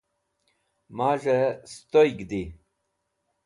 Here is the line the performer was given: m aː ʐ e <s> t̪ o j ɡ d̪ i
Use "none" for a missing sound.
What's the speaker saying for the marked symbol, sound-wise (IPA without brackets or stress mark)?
s